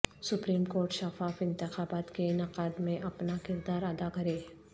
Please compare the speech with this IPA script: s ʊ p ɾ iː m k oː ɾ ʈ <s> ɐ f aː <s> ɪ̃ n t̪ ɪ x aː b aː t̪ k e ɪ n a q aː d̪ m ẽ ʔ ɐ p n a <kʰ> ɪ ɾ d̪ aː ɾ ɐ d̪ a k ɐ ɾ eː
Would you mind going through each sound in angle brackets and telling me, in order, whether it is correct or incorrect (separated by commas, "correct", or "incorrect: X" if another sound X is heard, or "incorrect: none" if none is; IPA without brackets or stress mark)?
incorrect: ʃ, incorrect: f, incorrect: k